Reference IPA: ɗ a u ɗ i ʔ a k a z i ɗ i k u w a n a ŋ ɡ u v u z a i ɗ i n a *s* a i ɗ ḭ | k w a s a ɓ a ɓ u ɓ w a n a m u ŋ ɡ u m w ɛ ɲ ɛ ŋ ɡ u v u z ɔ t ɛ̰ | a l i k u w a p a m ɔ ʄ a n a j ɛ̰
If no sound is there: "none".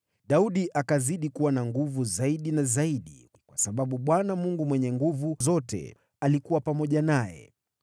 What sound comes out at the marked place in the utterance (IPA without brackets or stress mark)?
z